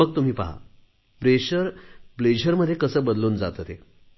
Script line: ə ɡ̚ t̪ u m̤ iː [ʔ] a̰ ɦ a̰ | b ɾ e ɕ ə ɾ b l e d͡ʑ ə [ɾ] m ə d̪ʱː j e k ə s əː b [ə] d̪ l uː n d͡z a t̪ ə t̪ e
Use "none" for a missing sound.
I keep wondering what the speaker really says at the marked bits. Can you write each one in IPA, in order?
p, ɾ, ə

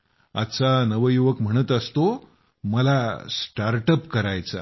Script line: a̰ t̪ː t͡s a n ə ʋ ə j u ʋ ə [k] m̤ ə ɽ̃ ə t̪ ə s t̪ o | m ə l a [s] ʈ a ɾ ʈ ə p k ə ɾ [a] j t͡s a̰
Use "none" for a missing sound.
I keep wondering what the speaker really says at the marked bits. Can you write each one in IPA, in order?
k, s, a

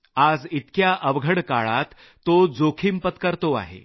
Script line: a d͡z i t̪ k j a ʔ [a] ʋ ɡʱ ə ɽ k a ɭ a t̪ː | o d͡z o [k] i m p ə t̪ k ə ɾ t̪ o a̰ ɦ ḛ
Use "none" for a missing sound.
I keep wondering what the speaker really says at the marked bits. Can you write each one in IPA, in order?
ə, kʰ

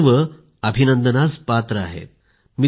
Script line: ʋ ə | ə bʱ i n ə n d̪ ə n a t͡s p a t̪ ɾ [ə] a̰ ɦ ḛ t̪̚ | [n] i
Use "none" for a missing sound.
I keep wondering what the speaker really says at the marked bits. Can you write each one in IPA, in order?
ə, m

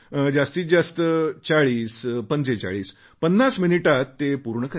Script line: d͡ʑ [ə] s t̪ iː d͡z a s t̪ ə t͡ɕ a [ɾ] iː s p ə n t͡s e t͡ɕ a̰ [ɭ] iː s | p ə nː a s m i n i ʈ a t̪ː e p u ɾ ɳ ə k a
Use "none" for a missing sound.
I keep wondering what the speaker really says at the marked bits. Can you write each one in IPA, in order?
a, ɭ, ɭ

